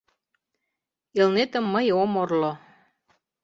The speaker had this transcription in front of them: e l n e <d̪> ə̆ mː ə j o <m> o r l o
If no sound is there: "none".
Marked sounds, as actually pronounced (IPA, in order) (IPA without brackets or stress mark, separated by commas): t̪, m